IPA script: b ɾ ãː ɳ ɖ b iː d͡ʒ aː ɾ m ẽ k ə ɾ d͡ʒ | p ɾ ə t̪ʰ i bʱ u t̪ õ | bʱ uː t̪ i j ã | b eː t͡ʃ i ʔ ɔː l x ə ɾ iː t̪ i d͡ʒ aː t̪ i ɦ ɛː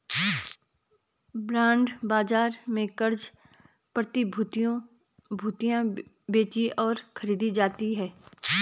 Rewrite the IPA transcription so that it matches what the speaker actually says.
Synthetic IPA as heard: b ɾ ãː ɳ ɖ b aː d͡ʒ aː ɾ m ẽ k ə ɾ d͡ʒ | p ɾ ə t̪ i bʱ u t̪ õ | bʱ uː t̪ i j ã | b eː t͡ʃ i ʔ ɔː ɾ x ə ɾ iː d̪ i d͡ʒ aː t̪ i ɦ ɛː